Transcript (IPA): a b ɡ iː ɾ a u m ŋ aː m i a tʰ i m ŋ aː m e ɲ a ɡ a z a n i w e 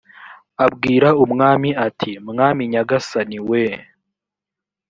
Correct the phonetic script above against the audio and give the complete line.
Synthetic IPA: a b ɡ iː ɾ a u m ŋ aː m i a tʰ i m ŋ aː m i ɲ a ɡ a s a n i w e